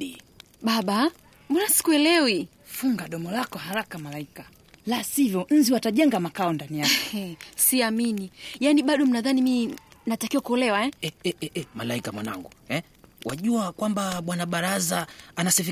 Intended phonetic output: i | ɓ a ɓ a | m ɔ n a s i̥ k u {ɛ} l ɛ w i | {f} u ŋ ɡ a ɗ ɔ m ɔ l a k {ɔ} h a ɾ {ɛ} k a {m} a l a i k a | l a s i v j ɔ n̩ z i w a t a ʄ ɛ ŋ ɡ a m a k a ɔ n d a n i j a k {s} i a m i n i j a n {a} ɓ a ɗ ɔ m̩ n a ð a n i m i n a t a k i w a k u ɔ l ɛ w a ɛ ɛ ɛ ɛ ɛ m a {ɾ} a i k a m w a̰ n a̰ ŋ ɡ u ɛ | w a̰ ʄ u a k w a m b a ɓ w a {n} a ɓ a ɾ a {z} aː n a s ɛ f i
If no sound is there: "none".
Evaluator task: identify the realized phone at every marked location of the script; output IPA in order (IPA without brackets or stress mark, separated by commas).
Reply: ɛ, f, ɔ, a, m, s, i, l, n, z